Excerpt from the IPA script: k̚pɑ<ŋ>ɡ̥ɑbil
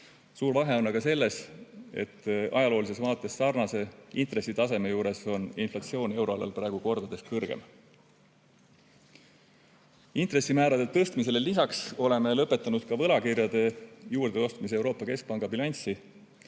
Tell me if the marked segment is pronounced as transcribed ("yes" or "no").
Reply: yes